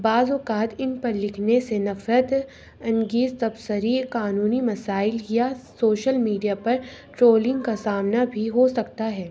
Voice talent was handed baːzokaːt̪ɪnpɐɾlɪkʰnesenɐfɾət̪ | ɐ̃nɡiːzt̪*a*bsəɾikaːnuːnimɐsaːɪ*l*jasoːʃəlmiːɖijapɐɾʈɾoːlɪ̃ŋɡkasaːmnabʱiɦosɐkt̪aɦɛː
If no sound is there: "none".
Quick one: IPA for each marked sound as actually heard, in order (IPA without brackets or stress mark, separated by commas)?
ɐ, l